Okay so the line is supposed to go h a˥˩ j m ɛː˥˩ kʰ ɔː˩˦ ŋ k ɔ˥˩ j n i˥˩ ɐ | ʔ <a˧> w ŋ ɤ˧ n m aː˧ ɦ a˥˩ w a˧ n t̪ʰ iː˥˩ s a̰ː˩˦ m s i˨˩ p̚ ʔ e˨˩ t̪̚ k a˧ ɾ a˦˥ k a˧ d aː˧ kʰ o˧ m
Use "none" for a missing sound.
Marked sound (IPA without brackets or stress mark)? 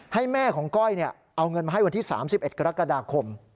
a˧